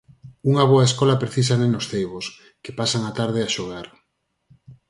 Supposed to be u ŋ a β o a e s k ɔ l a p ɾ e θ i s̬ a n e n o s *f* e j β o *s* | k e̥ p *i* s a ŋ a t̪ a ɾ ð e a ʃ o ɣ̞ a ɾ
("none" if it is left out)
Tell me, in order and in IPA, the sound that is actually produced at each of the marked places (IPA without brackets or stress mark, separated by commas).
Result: θ, s, a